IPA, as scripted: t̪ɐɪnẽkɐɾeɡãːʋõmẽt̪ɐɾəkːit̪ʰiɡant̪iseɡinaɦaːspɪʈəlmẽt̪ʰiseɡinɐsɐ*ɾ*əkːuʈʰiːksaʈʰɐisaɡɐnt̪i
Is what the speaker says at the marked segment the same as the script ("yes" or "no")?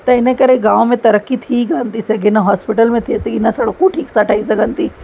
no